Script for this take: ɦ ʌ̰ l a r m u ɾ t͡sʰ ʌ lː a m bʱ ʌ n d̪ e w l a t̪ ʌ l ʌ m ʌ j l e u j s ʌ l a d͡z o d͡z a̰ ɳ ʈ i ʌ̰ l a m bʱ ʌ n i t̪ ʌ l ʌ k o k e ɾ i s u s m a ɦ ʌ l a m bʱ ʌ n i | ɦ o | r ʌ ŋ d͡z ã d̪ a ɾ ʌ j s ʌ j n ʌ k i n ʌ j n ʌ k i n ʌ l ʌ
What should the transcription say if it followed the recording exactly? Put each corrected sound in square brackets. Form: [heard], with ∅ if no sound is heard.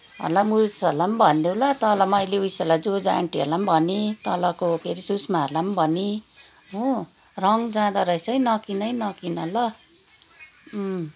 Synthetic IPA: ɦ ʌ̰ l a [∅] m u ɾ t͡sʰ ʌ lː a m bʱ ʌ n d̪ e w l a t̪ ʌ l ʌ m ʌ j l e u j s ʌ l a d͡z o d͡z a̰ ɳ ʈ i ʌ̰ l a m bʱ ʌ n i t̪ ʌ l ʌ k o k e ɾ i s u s m a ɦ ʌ l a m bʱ ʌ n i | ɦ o | r ʌ ŋ d͡z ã d̪ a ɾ ʌ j s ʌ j n ʌ k i n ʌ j n ʌ k i n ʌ l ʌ